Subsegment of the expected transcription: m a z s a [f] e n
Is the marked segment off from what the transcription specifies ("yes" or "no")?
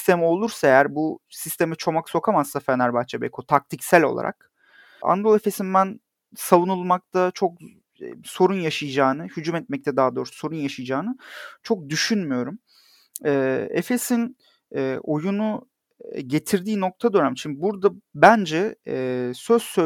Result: no